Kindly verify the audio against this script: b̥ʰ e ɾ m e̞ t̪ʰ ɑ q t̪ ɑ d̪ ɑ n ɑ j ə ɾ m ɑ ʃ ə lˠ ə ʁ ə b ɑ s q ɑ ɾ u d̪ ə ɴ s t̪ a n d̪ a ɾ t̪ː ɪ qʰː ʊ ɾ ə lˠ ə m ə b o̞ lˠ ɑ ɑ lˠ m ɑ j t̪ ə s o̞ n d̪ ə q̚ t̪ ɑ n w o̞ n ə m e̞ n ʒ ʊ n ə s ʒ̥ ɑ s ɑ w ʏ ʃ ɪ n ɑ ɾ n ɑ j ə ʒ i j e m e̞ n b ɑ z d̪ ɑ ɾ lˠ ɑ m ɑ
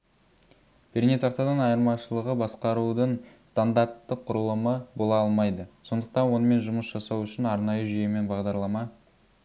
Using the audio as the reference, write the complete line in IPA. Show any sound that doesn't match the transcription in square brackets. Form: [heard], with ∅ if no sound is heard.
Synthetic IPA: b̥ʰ e ɾ [n] e̞ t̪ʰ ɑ q t̪ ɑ d̪ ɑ n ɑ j ə ɾ m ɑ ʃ ə lˠ ə ʁ ə b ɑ s q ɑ ɾ u d̪ ə ɴ s t̪ a n d̪ a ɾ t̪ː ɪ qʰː ʊ ɾ ə lˠ ə m ə b o̞ lˠ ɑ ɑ lˠ m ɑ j [d̪] ə s o̞ n d̪ ə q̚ t̪ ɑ n w o̞ n ə m e̞ n ʒ ʊ [m] ə s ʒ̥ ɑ s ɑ w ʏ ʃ ɪ n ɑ ɾ n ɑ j ə ʒ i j e m e̞ n b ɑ [ʁ] d̪ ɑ ɾ lˠ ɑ m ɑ

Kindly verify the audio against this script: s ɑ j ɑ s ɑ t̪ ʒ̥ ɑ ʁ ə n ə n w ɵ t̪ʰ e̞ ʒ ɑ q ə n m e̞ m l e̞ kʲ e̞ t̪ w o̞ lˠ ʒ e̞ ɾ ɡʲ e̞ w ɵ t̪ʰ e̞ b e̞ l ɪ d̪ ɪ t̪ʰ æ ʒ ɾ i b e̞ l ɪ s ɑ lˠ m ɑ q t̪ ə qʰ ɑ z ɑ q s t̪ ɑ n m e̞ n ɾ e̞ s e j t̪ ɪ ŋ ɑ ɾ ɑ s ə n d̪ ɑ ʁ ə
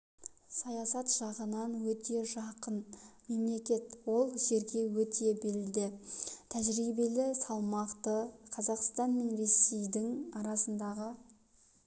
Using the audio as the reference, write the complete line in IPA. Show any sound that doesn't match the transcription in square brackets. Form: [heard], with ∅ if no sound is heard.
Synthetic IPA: s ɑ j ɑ s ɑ t̪ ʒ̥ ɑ ʁ ə n [ɑ] n w ɵ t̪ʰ e̞ ʒ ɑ q ə n m e̞ m l e̞ kʲ e̞ t̪ w o̞ lˠ ʒ e̞ ɾ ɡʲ e̞ w ɵ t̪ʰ e̞ b e̞ l ɪ d̪ ɪ t̪ʰ æ ʒ ɾ i b e̞ l ɪ s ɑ lˠ m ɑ q t̪ ə qʰ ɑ z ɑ q s t̪ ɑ n m e̞ n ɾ e̞ s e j [d̪] ɪ ŋ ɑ ɾ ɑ s ə n d̪ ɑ ʁ ə

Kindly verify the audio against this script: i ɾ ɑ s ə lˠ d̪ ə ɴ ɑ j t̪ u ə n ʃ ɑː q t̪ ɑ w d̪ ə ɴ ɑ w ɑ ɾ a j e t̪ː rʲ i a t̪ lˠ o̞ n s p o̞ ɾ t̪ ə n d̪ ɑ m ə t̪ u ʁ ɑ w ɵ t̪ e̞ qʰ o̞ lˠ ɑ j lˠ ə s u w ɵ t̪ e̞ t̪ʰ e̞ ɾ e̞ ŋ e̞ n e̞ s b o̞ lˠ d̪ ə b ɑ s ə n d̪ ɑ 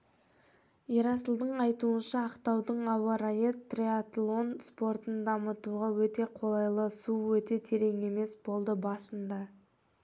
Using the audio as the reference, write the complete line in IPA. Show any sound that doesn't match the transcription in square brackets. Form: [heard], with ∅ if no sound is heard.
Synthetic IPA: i ɾ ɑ s ə lˠ d̪ ə ɴ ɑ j t̪ u ə n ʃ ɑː q t̪ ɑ w d̪ ə ɴ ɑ w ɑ ɾ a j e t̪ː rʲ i a t̪ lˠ o̞ n s p o̞ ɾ t̪ ə n d̪ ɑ m ə t̪ u ʁ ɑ w ɵ t̪ e̞ qʰ o̞ lˠ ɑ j lˠ ə s u w ɵ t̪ e̞ t̪ʰ e̞ ɾ e̞ ŋ e̞ [m] e̞ s b o̞ lˠ d̪ ə b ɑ s ə n d̪ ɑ

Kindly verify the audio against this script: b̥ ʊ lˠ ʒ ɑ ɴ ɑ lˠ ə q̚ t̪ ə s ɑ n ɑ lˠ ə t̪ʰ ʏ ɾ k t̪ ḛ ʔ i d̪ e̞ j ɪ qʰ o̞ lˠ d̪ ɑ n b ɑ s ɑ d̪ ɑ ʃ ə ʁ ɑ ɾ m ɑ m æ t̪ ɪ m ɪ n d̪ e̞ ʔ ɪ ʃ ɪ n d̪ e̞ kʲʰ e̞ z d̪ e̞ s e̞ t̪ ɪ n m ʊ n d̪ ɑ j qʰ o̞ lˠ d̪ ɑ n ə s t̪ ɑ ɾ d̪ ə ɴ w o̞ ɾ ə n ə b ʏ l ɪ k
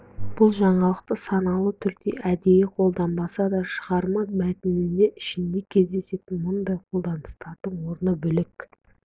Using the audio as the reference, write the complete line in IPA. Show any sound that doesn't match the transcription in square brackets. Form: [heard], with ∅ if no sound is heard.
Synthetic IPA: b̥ ʊ lˠ ʒ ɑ ɴ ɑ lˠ ə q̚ t̪ ə s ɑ n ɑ lˠ ə t̪ʰ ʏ ɾ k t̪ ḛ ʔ [æ] d̪ e̞ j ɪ qʰ o̞ lˠ d̪ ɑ n b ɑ s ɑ d̪ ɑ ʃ ə ʁ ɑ ɾ m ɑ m æ t̪ ɪ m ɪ n d̪ e̞ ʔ ɪ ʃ ɪ n d̪ e̞ kʲʰ e̞ z d̪ e̞ s e̞ t̪ ɪ n m ʊ n d̪ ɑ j qʰ o̞ lˠ d̪ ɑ n ə s t̪ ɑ ɾ d̪ ə ɴ w o̞ ɾ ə n ə b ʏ l ɪ k

